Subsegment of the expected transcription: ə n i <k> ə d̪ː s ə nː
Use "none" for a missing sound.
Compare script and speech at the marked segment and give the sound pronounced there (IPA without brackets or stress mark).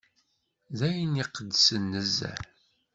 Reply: q